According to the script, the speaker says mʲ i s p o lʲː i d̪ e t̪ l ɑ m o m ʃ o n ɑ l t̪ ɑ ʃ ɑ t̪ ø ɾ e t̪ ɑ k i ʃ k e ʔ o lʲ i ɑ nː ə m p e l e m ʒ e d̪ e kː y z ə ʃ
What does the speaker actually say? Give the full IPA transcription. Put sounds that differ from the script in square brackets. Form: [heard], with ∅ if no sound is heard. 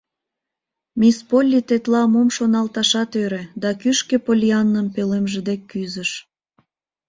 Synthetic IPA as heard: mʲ i s p o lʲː i [t̪] e t̪ l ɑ m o m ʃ o n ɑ l t̪ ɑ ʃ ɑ t̪ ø ɾ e [d̪] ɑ k [y] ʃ k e [p] o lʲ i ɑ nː ə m p e l e m ʒ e d̪ e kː y z ə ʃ